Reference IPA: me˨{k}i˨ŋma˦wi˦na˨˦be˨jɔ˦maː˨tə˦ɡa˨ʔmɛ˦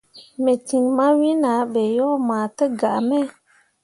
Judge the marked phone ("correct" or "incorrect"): incorrect